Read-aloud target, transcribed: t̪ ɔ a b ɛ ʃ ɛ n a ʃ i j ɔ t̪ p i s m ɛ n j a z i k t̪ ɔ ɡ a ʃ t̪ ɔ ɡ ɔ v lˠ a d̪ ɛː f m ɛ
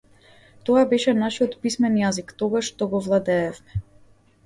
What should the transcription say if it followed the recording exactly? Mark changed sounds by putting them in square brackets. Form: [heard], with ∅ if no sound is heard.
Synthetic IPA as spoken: t̪ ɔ a b ɛ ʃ ɛ n a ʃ i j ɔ t̪ p i s m ɛ n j a z i k t̪ ɔ ɡ a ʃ t̪ ɔ ɡ ɔ v lˠ a d̪ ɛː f m ɛ